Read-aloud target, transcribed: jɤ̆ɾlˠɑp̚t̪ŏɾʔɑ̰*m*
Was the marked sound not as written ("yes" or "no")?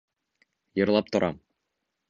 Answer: no